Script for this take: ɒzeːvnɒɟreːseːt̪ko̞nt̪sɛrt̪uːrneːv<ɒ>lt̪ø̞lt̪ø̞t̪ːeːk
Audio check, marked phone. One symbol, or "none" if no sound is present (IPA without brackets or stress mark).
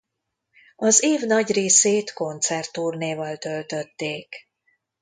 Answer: ɒ